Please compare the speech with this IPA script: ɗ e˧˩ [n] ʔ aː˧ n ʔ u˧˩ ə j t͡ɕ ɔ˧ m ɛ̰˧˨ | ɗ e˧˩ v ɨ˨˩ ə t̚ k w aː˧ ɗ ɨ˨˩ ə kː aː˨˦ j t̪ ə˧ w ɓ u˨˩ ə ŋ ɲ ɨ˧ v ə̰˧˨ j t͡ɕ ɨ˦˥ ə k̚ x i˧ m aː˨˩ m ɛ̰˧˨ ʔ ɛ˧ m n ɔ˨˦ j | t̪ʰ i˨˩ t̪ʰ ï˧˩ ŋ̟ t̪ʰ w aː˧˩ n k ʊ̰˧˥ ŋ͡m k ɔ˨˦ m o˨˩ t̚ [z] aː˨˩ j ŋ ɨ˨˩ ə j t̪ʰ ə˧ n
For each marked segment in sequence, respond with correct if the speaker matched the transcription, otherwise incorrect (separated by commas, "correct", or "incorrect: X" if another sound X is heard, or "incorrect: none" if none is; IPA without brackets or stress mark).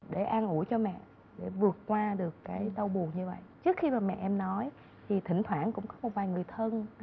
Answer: incorrect: none, incorrect: v